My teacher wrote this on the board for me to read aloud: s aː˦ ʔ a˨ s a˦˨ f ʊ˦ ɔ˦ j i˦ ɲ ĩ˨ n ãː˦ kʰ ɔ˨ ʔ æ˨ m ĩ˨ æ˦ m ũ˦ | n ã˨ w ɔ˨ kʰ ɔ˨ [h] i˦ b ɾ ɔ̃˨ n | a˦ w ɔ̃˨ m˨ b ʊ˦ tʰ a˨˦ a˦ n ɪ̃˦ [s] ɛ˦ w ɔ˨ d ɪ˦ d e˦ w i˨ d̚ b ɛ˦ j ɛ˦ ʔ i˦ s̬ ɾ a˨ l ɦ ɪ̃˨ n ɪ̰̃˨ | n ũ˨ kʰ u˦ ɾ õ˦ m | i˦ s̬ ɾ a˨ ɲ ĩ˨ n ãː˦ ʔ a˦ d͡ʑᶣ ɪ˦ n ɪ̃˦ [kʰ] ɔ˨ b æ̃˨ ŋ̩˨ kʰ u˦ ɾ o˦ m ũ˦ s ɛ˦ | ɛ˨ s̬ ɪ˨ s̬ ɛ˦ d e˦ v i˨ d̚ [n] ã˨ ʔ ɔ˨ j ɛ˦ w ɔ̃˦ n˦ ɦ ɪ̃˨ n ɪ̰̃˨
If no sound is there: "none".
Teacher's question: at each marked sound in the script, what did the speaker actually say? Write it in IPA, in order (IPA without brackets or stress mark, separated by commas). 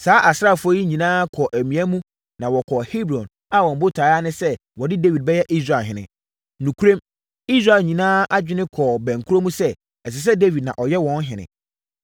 h, s, kʰ, n